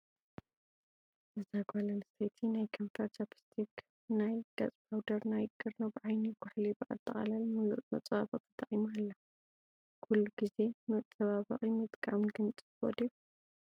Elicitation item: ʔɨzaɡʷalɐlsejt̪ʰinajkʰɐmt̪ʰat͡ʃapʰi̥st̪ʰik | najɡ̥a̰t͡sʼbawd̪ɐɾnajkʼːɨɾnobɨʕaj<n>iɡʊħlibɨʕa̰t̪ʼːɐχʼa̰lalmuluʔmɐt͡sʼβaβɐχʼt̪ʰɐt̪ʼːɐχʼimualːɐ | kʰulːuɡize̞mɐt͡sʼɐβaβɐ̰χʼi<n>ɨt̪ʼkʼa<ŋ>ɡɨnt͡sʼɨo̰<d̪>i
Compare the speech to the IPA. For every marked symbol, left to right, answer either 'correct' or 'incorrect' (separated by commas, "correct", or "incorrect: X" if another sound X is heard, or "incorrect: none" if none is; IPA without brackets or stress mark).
correct, incorrect: m, incorrect: m, correct